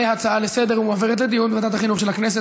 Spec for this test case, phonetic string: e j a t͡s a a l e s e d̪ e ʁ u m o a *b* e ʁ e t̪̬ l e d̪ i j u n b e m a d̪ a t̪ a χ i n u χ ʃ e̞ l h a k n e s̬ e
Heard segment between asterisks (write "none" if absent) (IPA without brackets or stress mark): v